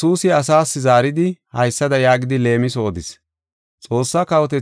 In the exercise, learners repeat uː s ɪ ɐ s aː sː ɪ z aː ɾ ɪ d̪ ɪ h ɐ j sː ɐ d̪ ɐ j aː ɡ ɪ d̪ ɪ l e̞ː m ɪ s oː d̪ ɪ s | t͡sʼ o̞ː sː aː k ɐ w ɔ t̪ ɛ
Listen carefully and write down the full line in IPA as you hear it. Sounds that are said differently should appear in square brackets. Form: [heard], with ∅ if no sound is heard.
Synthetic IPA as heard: uː s ɪ ɐ s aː sː ɪ z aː ɾ ɪ d̪ ɪ h ɐ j sː ɐ d̪ ɐ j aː ɡ ɪ d̪ ɪ l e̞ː m ɪ s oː d̪ ɪ s | t͡sʼ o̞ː sː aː k ɐ w ɔ t̪ ɛ